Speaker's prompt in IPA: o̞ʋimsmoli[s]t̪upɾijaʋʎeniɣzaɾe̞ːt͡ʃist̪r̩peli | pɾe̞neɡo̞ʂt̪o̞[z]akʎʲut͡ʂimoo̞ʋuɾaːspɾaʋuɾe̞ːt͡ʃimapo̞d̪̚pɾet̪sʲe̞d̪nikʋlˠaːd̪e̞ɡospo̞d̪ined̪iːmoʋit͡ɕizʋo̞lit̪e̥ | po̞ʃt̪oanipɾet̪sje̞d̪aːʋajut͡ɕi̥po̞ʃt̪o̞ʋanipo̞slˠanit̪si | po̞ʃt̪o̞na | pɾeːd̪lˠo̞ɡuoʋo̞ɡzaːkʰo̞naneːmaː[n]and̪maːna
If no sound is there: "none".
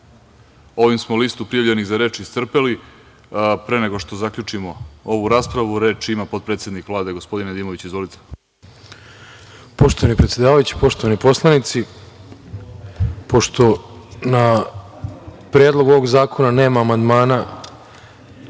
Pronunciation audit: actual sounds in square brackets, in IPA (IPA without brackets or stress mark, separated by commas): s, z, m